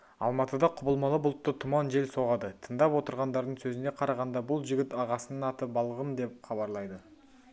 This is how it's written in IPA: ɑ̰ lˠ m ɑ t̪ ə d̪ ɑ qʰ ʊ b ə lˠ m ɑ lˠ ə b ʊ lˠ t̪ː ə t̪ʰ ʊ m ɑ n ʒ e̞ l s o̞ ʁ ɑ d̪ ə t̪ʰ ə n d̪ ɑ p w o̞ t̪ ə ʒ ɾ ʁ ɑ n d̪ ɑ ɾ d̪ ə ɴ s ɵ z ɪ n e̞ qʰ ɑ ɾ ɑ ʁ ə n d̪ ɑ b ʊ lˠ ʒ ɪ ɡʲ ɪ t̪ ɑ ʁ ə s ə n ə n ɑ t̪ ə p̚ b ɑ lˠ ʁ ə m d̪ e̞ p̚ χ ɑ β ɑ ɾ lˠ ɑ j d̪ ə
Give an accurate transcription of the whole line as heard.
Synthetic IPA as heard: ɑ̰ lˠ m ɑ t̪ ə d̪ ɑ qʰ ʊ b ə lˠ m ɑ lˠ ə b ʊ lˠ t̪ː ə t̪ʰ ʊ m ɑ n ʒ e̞ l s o̞ ʁ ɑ d̪ ə t̪ʰ ə n d̪ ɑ p w o̞ t̪ ə ɾ ʁ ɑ n d̪ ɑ ɾ d̪ ə ɴ s ɵ z ɪ n e̞ qʰ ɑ ɾ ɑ ʁ ɑ n d̪ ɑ b ʊ lˠ ʒ ɪ ɡʲ ɪ t̪ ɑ ʁ ɑ s ə n ə n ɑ t̪ ə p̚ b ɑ lˠ ʁ ə m d̪ e̞ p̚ χ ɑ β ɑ ɾ lˠ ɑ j d̪ ə